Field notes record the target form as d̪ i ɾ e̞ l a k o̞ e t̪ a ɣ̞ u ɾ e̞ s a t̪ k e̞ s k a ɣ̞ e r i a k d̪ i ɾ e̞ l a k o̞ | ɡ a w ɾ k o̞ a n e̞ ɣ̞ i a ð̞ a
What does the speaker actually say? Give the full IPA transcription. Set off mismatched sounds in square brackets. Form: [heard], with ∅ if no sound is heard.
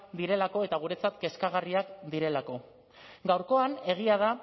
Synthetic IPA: d̪ i ɾ e̞ l a k o̞ e t̪ a ɣ̞ u ɾ e̞ [t͡s] a t̪ k e̞ s k a ɣ̞ [a] r i a k d̪ i ɾ e̞ l a k o̞ | ɡ a w ɾ k o̞ a n e̞ ɣ̞ i a ð̞ a